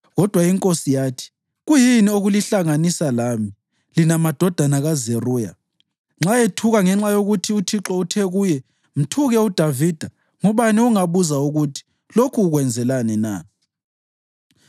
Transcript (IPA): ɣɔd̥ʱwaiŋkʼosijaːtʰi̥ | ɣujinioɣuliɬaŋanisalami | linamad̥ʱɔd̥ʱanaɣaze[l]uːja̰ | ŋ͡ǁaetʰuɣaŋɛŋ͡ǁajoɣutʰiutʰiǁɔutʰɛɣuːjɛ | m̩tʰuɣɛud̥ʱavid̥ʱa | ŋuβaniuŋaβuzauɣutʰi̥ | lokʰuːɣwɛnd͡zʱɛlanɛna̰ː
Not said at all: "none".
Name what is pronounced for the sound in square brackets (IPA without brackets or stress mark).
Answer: r